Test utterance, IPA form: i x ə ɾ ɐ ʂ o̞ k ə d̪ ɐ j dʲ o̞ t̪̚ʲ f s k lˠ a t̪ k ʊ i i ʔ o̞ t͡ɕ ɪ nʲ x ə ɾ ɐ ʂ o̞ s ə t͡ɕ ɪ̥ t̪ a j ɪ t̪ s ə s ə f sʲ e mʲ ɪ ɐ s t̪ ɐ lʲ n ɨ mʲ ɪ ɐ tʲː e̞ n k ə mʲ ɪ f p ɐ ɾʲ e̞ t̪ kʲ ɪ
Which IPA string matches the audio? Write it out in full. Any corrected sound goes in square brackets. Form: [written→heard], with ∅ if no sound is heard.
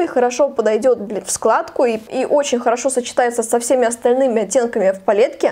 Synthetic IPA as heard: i x ə ɾ ɐ ʂ o̞ [k→p] ə d̪ ɐ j dʲ o̞ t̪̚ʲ f s k lˠ a t̪ k ʊ i i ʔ o̞ t͡ɕ ɪ nʲ x ə ɾ ɐ ʂ o̞ s ə t͡ɕ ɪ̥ t̪ a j ɪ t̪ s ə s [ə→ɐ] f sʲ e mʲ ɪ ɐ s t̪ ɐ lʲ n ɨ mʲ ɪ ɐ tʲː e̞ n k ə mʲ ɪ f p ɐ [ɾʲ→lʲ] e̞ t̪ kʲ ɪ